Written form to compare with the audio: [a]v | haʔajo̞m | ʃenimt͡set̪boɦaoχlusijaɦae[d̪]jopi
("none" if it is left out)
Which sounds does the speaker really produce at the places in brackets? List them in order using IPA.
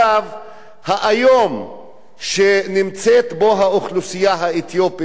a, t̪

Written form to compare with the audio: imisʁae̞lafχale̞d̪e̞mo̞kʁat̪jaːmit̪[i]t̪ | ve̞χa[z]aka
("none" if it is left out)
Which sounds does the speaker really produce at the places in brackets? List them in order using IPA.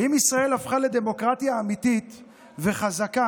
i, z

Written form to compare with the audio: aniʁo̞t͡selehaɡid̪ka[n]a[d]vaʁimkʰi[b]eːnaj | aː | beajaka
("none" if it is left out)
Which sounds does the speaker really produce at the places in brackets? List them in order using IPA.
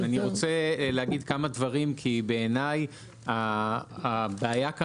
m, d, b

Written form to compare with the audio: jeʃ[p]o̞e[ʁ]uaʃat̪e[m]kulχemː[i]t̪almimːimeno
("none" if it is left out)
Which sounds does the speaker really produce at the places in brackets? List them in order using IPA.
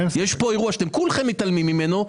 p, ʁ, m, i

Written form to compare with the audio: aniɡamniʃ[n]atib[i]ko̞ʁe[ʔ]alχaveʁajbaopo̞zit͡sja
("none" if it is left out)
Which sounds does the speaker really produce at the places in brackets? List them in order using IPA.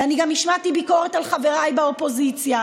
m, i, t

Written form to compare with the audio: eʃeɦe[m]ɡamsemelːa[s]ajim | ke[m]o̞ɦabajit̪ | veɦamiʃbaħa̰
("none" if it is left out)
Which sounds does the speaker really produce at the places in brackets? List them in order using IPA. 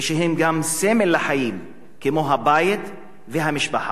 m, ħ, m

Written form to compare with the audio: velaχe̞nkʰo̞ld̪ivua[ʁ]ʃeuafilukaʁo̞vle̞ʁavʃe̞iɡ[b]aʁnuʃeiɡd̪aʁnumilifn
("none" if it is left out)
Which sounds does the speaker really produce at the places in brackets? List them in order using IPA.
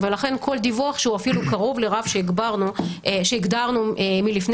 χ, b

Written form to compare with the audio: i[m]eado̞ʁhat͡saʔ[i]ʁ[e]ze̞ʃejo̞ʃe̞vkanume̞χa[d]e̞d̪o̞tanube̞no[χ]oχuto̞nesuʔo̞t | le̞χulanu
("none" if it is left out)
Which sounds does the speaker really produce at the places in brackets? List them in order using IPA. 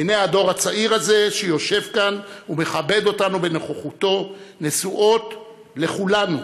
n, i, a, b, χ

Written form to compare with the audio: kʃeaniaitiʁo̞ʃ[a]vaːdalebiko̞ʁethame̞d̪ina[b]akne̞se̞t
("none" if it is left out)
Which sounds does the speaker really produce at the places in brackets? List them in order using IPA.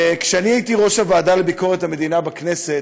a, b

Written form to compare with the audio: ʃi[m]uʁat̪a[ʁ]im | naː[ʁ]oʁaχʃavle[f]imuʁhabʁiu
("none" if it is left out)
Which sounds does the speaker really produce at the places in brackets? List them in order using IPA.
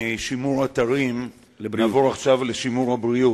m, ʁ, v, ʃ

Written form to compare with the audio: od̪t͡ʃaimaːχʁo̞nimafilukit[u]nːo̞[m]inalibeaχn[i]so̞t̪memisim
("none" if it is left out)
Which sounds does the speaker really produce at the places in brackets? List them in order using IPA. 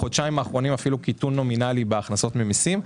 u, m, a

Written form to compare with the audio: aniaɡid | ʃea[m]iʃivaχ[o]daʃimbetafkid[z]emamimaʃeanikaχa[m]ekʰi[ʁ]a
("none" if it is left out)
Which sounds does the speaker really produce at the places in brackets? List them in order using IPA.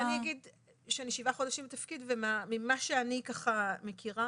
n, o, v, m, ʁ

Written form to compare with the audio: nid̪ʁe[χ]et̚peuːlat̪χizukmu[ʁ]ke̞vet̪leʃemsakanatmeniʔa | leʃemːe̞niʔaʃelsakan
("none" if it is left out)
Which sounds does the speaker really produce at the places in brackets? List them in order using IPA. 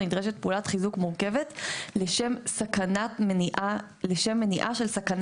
ʃ, ʁ

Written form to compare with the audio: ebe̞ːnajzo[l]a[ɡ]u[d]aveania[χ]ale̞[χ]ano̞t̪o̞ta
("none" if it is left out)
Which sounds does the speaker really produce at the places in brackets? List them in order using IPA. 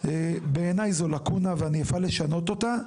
l, k, n, f, ʃ

